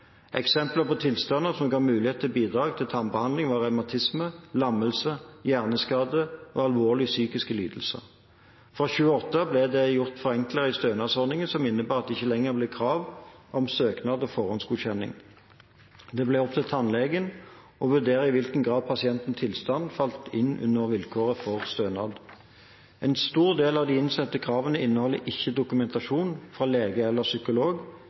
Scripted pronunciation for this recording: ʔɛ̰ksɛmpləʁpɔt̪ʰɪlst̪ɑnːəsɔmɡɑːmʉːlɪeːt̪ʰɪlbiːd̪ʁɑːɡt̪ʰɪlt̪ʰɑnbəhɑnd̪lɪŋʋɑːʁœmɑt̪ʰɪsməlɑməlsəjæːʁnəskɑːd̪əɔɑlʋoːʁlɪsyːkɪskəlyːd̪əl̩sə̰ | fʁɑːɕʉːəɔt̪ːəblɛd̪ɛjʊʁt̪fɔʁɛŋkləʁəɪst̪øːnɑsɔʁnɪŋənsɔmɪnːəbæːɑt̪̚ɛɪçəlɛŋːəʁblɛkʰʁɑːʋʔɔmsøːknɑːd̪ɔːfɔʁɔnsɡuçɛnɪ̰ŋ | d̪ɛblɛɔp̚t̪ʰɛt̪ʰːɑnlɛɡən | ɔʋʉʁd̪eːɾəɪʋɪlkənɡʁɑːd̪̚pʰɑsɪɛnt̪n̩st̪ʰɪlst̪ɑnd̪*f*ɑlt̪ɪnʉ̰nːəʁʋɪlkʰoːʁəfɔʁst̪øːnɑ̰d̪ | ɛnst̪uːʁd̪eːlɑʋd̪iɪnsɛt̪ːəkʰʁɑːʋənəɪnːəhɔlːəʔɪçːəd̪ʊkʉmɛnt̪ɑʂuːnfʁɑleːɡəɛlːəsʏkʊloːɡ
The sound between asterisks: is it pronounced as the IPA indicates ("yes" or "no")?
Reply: yes